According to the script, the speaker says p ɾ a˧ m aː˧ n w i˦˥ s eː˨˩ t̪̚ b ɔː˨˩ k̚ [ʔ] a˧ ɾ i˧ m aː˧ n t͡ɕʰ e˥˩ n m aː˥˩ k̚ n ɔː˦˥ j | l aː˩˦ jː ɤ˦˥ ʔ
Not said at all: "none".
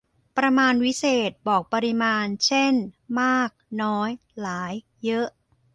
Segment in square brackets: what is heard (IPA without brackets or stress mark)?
p